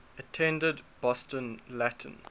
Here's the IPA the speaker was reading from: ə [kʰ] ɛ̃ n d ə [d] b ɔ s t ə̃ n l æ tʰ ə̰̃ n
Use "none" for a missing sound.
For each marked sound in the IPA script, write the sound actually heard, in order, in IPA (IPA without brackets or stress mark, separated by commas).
tʰ, d